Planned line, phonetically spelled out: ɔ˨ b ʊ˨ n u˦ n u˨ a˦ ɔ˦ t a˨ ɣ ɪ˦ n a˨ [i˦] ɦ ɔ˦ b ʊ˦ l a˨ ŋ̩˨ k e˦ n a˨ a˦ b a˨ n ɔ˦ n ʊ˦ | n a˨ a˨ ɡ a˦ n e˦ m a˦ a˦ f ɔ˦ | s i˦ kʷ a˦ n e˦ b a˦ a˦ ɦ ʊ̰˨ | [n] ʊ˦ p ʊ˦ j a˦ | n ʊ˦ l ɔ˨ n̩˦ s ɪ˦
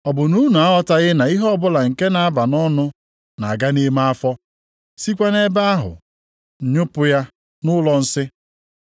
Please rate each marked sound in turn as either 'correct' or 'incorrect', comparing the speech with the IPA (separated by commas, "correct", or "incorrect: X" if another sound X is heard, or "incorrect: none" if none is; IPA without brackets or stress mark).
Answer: correct, incorrect: ɲ